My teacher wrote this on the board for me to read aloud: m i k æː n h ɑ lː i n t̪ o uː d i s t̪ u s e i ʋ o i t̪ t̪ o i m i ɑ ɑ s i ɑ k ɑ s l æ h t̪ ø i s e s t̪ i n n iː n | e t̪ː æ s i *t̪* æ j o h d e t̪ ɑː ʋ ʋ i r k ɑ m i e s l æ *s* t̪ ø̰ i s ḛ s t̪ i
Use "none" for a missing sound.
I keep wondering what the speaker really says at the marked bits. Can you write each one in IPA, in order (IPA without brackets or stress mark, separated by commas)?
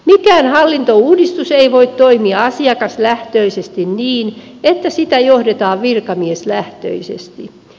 t̪, h